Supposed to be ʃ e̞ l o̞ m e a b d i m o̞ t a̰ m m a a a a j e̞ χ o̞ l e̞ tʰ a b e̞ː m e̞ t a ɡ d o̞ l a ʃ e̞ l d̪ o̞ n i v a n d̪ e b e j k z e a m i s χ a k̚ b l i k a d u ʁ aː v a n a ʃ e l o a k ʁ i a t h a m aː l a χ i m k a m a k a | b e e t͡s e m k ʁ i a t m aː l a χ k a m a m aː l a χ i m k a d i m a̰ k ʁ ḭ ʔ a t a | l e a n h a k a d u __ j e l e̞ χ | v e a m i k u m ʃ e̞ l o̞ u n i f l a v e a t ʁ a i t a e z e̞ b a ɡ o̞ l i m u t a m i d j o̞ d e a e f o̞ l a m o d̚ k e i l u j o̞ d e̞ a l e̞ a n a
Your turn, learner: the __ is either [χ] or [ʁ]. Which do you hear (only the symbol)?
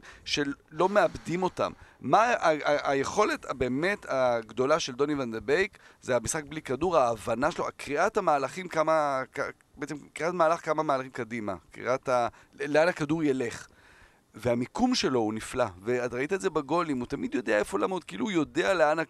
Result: ʁ